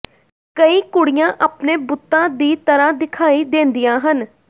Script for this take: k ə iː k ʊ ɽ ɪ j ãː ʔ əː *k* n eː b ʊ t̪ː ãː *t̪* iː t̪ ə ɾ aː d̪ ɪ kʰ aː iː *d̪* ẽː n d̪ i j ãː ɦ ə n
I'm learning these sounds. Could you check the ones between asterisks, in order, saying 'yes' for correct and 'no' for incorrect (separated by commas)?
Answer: no, no, yes